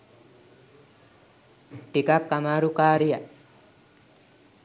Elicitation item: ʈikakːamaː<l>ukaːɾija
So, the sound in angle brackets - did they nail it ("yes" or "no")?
no